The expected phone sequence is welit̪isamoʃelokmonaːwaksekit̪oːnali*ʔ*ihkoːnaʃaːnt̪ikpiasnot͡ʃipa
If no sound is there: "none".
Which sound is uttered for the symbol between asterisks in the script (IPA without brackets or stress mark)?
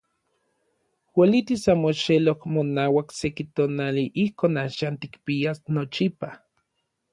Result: ʔ